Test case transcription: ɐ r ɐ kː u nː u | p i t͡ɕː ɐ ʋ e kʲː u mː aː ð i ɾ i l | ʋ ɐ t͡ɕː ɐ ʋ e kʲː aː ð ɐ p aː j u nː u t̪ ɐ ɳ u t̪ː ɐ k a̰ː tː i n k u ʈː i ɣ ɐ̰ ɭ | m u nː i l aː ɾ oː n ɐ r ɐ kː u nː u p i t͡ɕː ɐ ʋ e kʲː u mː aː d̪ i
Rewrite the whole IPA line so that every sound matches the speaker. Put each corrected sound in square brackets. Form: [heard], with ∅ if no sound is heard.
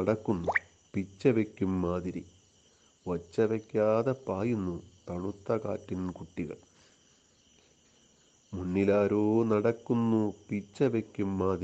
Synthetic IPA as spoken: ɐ [ɽ] ɐ kː u nː u | p i t͡ɕː ɐ ʋ e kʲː u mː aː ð i ɾ i [∅] | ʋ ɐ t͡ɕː ɐ ʋ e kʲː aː ð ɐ p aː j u nː u t̪ ɐ ɳ u t̪ː ɐ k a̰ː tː i n k u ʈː i ɣ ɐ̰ ɭ | m u nː i l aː ɾ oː n ɐ [ɽ] ɐ kː u nː u p i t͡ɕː ɐ ʋ e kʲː u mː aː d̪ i